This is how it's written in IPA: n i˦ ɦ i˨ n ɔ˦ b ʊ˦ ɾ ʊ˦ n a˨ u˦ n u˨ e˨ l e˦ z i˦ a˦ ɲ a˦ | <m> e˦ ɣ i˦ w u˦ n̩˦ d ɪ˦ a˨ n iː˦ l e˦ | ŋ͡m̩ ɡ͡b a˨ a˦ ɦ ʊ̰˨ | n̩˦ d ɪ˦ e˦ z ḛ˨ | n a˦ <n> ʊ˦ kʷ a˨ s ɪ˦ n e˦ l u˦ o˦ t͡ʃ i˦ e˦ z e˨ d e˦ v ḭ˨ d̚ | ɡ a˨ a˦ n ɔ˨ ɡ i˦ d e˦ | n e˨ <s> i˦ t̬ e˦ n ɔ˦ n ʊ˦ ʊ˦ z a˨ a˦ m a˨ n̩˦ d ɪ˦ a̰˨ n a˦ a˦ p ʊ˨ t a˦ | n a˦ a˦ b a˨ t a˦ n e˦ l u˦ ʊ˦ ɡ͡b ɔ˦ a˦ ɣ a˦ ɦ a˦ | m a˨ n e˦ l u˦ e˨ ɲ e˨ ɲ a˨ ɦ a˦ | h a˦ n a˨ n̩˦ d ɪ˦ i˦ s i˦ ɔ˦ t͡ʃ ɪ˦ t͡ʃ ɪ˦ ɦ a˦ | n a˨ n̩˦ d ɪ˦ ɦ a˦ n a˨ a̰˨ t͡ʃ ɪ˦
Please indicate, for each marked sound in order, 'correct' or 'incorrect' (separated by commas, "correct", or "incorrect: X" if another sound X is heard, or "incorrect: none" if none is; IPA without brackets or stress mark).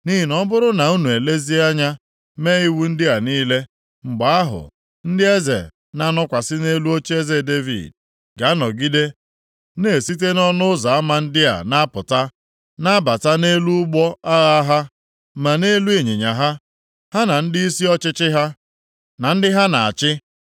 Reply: correct, correct, correct